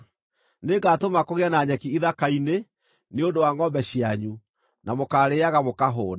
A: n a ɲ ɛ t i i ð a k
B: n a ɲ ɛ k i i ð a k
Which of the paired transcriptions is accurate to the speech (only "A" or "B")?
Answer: B